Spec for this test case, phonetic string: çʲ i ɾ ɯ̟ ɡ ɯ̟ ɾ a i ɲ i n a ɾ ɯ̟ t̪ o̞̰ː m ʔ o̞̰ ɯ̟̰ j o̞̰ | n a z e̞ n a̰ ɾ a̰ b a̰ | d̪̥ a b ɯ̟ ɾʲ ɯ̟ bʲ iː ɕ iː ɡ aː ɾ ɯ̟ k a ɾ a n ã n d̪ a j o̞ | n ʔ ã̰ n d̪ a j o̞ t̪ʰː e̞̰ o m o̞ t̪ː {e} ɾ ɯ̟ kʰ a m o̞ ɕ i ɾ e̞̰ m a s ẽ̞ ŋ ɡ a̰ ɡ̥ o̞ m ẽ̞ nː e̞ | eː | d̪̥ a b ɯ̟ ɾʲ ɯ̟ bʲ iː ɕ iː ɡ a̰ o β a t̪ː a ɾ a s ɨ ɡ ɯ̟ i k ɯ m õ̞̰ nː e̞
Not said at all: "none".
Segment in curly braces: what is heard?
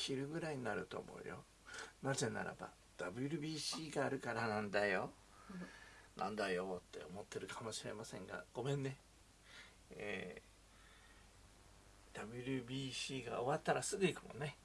e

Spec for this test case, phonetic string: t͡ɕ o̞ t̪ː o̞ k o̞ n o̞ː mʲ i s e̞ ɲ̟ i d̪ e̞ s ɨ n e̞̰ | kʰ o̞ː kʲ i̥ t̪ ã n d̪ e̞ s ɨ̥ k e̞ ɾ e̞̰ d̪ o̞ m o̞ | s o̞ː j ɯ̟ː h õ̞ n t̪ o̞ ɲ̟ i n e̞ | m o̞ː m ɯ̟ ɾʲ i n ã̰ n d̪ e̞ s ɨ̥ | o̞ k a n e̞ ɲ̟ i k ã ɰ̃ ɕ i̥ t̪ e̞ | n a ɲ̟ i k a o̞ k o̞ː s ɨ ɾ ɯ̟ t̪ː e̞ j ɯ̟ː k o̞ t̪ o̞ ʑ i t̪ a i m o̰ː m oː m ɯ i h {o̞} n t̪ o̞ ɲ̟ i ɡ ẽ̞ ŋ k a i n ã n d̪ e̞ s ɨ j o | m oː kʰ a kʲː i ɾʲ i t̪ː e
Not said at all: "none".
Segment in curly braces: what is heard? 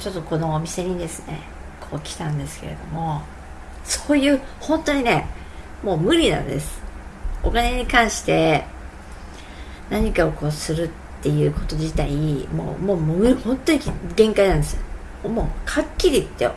õ̞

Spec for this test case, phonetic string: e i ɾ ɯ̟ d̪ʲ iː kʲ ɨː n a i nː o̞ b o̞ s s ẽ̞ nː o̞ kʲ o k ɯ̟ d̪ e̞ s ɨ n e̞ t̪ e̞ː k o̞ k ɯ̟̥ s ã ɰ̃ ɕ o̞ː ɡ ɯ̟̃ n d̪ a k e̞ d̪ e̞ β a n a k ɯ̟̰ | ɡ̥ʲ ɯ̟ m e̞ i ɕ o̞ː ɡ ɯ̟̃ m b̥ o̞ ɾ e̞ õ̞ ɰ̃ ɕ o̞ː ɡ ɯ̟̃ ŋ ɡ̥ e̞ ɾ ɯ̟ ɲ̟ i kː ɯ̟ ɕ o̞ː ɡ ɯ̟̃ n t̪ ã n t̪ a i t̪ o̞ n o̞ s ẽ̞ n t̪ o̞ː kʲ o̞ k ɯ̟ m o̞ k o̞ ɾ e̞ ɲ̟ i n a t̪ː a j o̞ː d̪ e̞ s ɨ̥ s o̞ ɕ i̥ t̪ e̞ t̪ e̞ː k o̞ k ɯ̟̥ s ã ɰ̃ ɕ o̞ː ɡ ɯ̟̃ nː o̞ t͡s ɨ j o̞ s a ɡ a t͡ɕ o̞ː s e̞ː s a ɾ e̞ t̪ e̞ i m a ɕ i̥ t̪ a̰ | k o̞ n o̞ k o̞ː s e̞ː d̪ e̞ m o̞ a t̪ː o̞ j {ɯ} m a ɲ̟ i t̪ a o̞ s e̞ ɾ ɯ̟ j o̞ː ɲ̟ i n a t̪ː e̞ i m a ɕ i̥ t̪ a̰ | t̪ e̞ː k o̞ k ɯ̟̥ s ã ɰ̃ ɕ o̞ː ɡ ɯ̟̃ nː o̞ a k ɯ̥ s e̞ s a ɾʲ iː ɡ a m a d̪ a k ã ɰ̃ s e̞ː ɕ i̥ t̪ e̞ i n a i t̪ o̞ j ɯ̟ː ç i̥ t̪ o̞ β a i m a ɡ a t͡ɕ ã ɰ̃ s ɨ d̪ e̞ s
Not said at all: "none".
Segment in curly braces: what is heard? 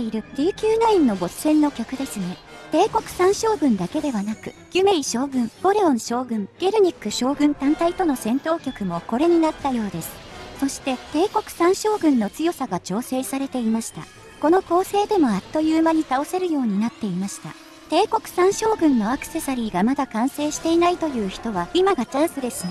ɯː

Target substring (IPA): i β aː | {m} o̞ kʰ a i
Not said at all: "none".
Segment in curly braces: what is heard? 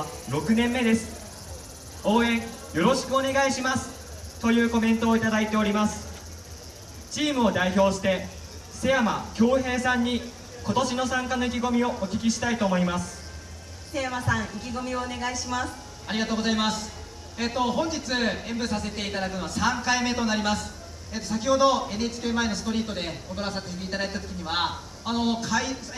n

